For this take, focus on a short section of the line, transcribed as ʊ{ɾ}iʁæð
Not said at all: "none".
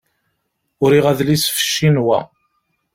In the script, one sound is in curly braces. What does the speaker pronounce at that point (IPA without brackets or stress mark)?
ɾ